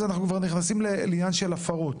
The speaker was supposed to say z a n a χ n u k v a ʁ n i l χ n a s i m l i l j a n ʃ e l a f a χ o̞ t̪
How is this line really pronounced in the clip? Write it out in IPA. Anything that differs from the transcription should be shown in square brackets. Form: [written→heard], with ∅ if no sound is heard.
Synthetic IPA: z a n a χ n u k v a ʁ n i [l→∅] χ n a s i m l [i→e] l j a n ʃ e l a f a [χ→ʁ] o̞ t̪